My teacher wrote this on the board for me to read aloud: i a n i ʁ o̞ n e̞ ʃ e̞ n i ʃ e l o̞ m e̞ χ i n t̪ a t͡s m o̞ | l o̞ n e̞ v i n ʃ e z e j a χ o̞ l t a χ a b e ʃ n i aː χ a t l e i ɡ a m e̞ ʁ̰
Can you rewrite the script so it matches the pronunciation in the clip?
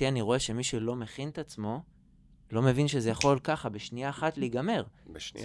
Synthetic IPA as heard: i a n i ʁ o̞ e̞ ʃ e̞ m i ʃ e l o̞ m e̞ χ i n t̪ a t͡s m o̞ | l o̞ m e̞ v i n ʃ e z e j a χ o̞ l k a χ a b e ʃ n i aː χ a t l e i ɡ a m e̞ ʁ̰